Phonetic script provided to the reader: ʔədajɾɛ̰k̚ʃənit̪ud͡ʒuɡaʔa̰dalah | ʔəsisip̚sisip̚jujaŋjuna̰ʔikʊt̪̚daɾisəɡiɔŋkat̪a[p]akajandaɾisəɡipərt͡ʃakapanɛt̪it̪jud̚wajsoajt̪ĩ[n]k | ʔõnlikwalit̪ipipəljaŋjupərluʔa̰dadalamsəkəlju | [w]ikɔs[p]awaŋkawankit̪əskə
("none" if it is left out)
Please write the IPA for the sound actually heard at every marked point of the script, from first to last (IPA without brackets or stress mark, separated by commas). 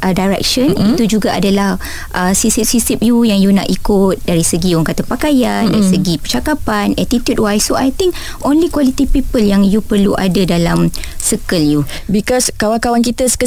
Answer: p, ŋ, b, k